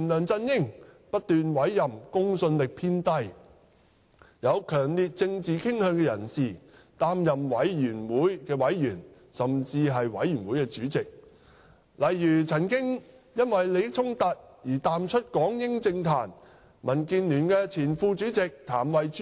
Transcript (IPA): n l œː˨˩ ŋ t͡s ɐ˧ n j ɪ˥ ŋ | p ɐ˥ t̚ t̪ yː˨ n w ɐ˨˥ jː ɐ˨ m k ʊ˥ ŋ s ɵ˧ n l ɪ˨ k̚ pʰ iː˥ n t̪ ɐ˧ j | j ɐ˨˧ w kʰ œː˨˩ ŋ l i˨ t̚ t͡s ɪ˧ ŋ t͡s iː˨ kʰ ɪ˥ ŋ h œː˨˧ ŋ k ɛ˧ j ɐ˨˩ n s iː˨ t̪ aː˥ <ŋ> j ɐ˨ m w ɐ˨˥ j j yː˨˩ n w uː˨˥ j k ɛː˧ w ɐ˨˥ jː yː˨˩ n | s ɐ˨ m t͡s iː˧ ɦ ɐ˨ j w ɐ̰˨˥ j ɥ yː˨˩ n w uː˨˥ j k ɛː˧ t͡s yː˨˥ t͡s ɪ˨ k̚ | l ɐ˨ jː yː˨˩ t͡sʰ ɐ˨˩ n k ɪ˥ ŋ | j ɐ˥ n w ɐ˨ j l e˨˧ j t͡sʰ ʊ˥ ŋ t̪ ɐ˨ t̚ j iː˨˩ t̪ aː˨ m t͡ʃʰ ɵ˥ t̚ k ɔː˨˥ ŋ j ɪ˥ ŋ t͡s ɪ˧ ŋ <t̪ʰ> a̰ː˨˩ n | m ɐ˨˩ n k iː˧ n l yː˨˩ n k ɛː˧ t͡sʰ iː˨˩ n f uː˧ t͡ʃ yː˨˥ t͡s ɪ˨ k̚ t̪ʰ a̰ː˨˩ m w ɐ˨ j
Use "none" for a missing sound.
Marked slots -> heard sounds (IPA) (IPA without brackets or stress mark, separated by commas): m, t̪ʰ